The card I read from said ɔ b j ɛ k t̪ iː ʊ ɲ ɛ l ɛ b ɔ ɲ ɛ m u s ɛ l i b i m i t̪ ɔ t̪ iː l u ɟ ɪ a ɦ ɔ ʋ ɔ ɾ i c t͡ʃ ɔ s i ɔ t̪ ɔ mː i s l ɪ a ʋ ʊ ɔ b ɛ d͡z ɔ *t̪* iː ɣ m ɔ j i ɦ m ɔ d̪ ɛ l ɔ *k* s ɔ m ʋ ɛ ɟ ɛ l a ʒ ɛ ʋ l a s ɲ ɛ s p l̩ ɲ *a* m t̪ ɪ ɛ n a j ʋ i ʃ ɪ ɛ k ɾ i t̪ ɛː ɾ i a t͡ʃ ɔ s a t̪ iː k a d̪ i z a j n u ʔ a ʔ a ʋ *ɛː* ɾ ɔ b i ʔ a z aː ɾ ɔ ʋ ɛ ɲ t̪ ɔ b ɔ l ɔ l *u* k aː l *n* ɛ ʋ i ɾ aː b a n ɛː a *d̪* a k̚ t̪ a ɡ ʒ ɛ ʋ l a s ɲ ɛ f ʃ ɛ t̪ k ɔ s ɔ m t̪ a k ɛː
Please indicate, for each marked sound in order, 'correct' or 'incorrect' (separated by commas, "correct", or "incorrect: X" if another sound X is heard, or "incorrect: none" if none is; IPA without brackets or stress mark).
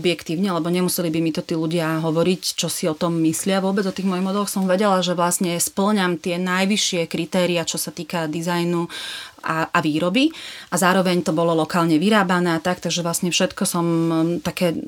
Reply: correct, incorrect: x, correct, incorrect: iː, incorrect: ɔ, incorrect: ɲ, incorrect: t̪